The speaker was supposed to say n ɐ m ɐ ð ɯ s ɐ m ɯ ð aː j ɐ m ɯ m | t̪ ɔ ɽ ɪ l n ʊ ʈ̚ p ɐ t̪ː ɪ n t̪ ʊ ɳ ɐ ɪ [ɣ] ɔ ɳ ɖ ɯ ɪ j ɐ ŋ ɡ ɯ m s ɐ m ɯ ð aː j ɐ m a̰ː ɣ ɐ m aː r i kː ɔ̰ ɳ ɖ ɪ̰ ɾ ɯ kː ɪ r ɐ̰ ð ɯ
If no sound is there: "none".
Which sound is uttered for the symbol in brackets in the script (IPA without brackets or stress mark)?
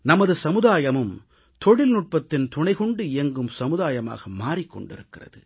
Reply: ɣ